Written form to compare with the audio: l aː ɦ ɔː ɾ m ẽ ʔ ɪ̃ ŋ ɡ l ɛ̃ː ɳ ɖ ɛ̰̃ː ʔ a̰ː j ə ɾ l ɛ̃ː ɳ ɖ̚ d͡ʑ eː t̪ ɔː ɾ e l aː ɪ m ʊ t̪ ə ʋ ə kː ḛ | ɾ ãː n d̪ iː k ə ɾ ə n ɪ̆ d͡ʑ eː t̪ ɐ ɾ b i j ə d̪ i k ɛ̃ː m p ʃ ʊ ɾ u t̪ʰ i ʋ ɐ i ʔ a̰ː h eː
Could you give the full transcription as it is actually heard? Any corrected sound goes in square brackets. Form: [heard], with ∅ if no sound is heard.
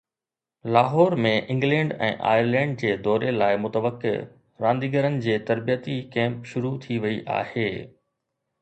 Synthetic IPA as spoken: l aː ɦ ɔː ɾ m ẽ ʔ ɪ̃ ŋ ɡ l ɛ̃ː ɳ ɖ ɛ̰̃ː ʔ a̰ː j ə ɾ l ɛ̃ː ɳ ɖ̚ d͡ʑ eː [d̪] ɔː ɾ e l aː ɪ m ʊ t̪ ə ʋ ə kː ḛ | ɾ ãː n d̪ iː [ɡ] ə ɾ ə n ɪ̆ d͡ʑ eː t̪ ɐ ɾ b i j ə [t̪] i k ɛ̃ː m p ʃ ʊ ɾ u t̪ʰ i ʋ ɐ i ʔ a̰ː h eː